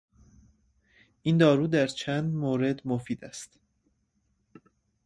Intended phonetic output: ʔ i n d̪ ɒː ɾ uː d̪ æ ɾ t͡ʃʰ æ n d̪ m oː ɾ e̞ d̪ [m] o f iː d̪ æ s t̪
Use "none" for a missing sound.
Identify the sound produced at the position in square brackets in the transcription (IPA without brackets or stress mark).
m